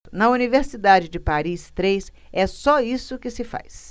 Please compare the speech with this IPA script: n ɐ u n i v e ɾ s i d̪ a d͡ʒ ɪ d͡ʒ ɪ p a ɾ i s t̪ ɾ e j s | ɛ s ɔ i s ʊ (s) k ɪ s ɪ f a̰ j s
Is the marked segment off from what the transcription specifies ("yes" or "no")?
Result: yes